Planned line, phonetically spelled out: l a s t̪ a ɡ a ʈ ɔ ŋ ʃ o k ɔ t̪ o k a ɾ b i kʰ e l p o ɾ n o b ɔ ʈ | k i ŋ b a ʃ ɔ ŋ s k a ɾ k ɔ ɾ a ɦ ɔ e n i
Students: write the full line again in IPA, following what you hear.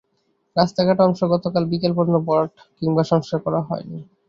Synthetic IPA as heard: ɾ a s t̪ a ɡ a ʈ ɔ ŋ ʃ o ɡ ɔ t̪ o k a l b i k e l p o ɾ n o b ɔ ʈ | k i ŋ b a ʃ ɔ ŋ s k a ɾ k ɔ ɾ a ɦ ɔ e n i